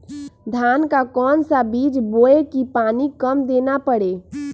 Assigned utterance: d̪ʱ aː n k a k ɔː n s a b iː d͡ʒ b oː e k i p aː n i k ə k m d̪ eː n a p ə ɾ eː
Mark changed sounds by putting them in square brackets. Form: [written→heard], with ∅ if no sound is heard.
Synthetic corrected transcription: d̪ʱ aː n k a k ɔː n s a b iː d͡ʒ b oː e k i p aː n i k ə [k→∅] m d̪ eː n a p ə [ɾ→ɽ] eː